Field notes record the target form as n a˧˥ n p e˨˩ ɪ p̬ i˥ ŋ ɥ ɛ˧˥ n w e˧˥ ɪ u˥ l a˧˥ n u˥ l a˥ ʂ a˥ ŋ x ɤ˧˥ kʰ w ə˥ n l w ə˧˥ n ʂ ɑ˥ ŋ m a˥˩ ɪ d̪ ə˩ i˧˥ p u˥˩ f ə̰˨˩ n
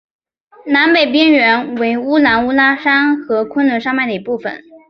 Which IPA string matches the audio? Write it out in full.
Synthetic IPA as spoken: n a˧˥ n p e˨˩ ɪ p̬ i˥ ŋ ɥ ɛ˧˥ n w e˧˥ ɪ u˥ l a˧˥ n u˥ l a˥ ʂ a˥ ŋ x ɤ˧˥ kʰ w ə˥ n l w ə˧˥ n ʂ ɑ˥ ŋ m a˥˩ ɪ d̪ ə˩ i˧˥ p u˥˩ f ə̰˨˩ n